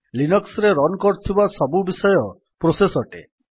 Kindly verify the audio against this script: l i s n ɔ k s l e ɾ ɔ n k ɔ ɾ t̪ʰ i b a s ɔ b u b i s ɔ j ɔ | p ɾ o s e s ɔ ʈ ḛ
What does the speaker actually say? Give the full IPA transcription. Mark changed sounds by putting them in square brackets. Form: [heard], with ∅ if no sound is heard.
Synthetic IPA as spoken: l i [∅] n ɔ k s [ɾ] e ɾ ɔ n k ɔ ɾ t̪ʰ i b a s ɔ b u b i s ɔ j ɔ | p ɾ o s e s ɔ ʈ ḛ

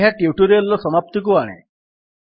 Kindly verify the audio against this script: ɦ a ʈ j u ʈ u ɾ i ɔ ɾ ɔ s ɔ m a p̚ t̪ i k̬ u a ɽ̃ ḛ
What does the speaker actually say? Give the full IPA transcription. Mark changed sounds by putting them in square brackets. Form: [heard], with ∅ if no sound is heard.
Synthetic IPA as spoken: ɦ a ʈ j u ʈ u ɾ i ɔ [l] ɔ s ɔ m a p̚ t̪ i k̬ u a ɽ̃ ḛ

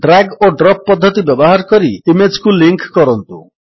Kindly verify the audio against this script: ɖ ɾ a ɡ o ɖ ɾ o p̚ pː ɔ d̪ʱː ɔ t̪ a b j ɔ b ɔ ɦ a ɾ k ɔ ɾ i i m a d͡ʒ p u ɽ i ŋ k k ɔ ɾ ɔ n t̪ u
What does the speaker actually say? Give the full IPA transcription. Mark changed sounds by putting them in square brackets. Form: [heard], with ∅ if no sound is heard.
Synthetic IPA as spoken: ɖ ɾ a ɡ o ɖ ɾ [ɔ] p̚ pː ɔ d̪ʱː ɔ t̪ [i] b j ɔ b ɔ ɦ a ɾ k ɔ ɾ i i m [e] d͡ʒ [k] u [l] i ŋ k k ɔ ɾ ɔ n t̪ u

